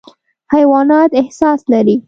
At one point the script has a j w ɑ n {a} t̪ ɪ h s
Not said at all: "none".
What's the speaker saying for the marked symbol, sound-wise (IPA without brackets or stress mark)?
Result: ɑ